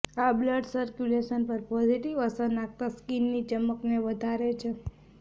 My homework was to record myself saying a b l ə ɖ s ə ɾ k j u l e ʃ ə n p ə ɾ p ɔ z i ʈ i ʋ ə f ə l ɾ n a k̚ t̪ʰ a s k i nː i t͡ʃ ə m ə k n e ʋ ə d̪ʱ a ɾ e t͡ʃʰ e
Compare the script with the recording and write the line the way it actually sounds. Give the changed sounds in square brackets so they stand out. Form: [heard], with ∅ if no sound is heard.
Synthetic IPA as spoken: a b l ə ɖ s ə ɾ k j u l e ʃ ə n p ə ɾ p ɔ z i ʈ i ʋ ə [s] ə [∅] ɾ n a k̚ [t̪] a s k i nː i t͡ʃ ə m ə k n e ʋ ə d̪ʱ a ɾ e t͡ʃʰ e